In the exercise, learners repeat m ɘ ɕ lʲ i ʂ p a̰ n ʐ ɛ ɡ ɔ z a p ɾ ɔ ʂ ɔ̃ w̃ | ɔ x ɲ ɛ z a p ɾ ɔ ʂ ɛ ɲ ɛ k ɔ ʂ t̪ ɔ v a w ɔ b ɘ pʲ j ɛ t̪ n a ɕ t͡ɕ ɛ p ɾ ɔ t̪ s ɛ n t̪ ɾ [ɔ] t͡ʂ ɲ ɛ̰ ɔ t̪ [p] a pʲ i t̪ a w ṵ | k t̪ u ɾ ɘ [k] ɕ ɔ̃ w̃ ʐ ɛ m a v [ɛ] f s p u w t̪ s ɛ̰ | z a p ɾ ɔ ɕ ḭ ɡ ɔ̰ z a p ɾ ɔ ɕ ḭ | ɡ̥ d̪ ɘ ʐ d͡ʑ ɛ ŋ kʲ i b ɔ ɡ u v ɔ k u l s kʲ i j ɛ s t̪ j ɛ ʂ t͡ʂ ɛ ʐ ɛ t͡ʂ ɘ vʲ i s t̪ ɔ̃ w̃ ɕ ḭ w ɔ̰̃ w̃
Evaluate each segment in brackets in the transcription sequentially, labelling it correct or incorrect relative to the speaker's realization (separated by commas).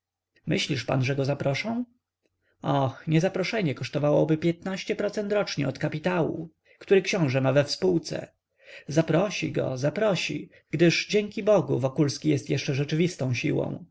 correct, incorrect, correct, correct